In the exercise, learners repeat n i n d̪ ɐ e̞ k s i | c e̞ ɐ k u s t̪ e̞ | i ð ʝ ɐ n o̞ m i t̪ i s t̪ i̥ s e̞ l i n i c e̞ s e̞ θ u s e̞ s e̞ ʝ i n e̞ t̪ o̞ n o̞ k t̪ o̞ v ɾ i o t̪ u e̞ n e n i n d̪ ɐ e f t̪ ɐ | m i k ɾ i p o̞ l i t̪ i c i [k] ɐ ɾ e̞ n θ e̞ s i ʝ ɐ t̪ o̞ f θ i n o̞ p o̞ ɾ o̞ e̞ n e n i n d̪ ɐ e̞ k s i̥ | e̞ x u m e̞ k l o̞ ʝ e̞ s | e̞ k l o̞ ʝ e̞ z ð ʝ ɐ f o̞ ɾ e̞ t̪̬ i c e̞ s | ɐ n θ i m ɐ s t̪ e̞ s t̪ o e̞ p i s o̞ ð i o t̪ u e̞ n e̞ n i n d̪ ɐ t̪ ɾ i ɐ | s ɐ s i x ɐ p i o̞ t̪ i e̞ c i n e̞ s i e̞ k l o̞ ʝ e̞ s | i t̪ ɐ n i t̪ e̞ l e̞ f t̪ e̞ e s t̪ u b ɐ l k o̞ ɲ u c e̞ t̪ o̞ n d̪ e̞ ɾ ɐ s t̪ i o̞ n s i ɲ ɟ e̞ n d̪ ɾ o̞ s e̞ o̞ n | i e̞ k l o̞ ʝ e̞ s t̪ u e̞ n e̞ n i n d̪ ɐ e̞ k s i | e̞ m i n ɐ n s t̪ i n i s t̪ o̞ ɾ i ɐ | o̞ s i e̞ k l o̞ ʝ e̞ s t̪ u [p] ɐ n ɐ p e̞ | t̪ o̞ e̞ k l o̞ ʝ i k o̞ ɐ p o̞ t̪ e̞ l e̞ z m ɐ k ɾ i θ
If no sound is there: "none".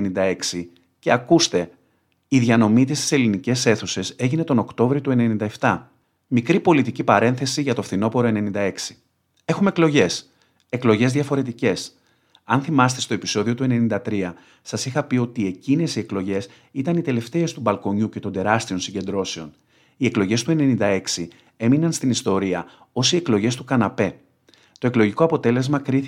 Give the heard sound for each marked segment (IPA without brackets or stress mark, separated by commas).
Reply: p, k